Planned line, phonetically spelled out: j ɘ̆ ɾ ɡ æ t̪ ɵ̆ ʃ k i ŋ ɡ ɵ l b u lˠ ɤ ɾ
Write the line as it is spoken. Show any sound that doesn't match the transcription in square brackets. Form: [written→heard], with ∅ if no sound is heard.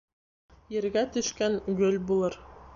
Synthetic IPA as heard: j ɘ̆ ɾ ɡ æ t̪ ɵ̆ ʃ k [i→æ] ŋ ɡ ɵ l b u lˠ ɤ ɾ